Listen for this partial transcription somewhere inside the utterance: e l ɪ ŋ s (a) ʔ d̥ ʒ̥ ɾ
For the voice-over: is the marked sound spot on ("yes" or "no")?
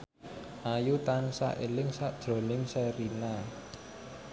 yes